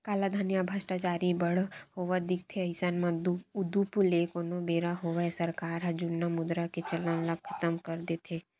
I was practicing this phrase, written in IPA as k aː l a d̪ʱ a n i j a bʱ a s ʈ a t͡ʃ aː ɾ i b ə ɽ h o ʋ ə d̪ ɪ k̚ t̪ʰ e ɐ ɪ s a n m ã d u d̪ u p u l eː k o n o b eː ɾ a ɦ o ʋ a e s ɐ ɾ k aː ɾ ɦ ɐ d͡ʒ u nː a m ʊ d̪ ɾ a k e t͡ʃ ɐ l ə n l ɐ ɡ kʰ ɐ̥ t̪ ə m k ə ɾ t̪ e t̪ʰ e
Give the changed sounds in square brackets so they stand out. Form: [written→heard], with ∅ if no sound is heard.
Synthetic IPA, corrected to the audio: k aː l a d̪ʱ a n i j a bʱ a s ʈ a t͡ʃ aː ɾ i b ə ɽ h o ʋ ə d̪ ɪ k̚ t̪ʰ e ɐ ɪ s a n m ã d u d̪ u p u l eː k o n o b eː ɾ a ɦ o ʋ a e s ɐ ɾ k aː ɾ ɦ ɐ d͡ʒ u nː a m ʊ d̪ ɾ a k e t͡ʃ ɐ l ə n l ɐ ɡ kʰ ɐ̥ t̪ ə m k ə ɾ [t̪→d̪] e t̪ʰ e